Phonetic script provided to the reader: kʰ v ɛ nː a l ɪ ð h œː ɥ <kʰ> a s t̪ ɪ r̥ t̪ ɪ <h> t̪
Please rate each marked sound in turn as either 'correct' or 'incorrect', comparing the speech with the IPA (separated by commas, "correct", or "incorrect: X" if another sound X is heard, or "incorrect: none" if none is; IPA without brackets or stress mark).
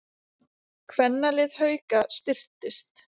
incorrect: k, incorrect: s